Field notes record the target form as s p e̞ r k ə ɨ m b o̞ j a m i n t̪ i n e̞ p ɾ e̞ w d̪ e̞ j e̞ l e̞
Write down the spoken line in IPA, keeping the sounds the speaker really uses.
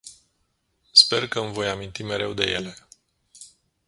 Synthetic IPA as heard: s p e̞ r k ə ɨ m v o̞ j a m i n t̪ i m e̞ ɾ e̞ w d̪ e̞ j e̞ l e̞